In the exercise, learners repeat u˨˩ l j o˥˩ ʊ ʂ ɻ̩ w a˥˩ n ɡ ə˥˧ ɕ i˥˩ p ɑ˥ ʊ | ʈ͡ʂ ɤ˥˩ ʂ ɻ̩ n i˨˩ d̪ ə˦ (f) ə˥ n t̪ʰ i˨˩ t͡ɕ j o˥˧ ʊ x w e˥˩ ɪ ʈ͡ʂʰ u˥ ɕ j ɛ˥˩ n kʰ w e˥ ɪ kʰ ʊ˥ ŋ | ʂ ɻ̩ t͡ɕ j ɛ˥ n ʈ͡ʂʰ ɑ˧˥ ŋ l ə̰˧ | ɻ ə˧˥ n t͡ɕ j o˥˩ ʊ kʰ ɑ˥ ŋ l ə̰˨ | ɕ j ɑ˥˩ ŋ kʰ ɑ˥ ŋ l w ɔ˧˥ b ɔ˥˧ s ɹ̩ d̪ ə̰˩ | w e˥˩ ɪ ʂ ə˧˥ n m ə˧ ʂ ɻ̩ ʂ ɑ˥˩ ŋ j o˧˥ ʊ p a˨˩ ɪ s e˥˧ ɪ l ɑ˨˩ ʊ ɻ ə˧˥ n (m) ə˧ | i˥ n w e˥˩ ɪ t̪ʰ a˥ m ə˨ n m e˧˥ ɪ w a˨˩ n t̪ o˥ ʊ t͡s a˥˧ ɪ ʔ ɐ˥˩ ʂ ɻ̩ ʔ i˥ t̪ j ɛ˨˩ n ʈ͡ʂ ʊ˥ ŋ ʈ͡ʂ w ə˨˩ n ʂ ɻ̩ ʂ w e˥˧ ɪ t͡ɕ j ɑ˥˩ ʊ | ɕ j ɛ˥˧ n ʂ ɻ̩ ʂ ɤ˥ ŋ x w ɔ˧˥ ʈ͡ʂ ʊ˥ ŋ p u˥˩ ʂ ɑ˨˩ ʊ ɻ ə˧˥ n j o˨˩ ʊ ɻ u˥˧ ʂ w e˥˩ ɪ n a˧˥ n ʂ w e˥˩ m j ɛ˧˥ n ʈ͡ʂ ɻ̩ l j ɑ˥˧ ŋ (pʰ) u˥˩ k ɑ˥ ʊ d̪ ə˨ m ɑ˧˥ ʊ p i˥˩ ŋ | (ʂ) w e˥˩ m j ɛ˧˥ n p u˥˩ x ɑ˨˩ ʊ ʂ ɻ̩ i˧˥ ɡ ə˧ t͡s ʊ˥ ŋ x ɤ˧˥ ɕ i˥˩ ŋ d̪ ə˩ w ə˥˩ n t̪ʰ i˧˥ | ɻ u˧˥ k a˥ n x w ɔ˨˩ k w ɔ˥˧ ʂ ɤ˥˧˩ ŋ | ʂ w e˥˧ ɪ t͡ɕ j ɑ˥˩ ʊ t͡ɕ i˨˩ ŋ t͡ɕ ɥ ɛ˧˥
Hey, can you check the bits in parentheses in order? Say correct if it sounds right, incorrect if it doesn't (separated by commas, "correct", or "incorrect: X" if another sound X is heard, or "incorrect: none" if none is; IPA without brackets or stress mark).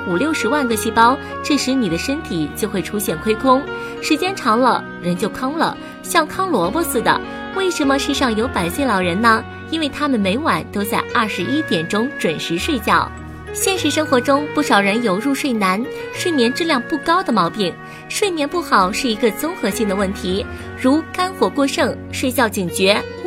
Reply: incorrect: ʂ, incorrect: n, incorrect: p, correct